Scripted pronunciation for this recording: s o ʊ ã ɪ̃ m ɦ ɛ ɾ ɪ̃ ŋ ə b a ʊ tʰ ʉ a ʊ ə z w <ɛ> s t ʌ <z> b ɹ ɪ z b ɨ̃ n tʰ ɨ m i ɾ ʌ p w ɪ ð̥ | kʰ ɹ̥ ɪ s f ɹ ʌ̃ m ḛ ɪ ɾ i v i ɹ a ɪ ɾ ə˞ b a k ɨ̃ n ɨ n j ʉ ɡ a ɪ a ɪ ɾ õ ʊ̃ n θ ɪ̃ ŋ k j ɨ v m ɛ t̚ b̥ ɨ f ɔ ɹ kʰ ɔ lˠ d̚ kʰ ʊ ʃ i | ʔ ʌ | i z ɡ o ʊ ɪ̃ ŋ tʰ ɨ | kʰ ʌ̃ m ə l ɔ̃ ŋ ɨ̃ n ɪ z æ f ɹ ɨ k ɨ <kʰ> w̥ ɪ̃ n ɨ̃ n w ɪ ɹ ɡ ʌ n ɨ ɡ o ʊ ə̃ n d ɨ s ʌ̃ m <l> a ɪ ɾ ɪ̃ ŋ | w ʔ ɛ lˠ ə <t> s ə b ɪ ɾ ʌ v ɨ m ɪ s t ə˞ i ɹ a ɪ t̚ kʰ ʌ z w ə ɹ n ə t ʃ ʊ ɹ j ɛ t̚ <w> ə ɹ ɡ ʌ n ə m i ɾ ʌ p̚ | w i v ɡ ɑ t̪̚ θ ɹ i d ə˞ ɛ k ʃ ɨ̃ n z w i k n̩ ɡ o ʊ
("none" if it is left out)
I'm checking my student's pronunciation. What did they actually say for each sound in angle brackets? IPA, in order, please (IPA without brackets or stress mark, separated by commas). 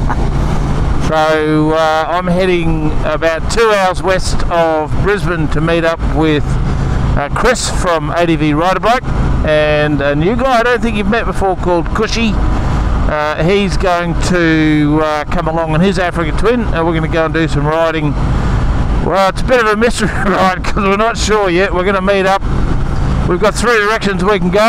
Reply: ɛ, v, tʰ, ɹ, t, w